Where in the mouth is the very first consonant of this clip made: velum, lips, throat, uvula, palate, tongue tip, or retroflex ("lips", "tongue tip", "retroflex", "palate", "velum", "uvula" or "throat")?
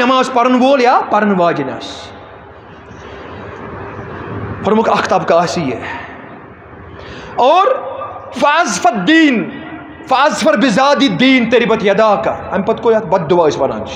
lips